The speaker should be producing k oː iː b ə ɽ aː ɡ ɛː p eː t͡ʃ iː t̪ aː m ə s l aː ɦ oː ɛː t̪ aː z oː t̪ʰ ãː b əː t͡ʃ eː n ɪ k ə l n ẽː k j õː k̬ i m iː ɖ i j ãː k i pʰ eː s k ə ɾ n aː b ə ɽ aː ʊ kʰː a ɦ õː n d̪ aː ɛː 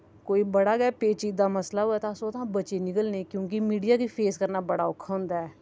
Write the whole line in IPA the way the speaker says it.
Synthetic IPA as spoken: k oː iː b ə ɽ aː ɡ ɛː p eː t͡ʃ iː d̪ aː m ə s l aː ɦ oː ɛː t̪ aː s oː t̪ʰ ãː b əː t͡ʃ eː n ɪ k ə l n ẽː k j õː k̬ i m iː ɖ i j aː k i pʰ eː s k ə ɾ n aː b ə ɽ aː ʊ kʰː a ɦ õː n d̪ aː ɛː

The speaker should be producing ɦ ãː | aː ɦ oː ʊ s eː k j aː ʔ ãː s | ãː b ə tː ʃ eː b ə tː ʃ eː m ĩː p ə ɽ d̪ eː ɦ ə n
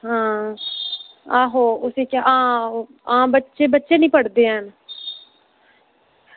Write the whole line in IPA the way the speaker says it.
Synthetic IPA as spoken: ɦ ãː | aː ɦ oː ʊ s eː k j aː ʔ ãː | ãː b ə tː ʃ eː b ə tː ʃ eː n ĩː p ə ɽ d̪ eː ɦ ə n

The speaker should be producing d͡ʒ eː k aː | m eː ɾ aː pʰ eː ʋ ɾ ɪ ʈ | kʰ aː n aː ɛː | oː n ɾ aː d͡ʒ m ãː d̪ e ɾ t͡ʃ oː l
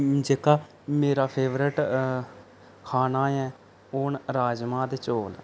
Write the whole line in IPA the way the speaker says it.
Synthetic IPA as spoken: d͡ʒ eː k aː | m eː ɾ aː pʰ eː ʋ ɾ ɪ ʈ | kʰ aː n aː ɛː | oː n ɾ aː d͡ʒ m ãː d̪ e t͡ʃ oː l

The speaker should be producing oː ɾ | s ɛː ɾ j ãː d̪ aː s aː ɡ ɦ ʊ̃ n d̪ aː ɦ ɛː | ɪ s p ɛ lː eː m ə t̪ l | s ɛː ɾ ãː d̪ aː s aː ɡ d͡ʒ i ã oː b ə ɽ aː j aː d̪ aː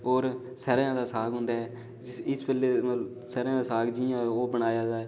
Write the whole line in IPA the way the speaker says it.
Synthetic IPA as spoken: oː ɾ | s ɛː ɾ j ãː d̪ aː s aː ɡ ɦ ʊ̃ n d̪ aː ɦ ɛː | ɪ s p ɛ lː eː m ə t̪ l | s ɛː ɾ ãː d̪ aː s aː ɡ d͡ʒ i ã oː b ə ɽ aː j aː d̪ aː

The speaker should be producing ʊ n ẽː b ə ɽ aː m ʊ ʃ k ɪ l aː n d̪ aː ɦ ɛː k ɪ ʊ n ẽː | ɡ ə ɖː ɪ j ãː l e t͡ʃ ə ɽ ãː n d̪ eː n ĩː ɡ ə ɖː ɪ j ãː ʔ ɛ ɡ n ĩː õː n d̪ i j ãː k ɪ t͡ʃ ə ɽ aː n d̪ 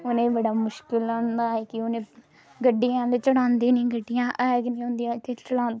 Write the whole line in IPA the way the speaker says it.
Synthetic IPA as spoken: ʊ n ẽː b ə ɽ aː m ʊ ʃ k ɪ l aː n d̪ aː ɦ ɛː k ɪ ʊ n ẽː | ɡ ə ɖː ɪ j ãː l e t͡ʃ ə ɽ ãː n d̪ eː n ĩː ɡ ə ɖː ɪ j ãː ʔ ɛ ɡ n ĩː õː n d̪ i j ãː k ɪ t͡ʃ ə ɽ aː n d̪

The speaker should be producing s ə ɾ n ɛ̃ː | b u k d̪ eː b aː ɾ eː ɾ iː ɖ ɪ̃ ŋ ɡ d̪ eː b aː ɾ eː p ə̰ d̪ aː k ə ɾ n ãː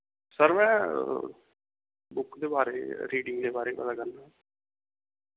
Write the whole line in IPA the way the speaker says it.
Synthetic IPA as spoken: s ə ɾ m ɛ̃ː | b ʊ k d̪ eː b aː ɾ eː ɾ iː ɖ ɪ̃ ŋ ɡ d̪ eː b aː ɾ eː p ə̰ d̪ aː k ə ɾ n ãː

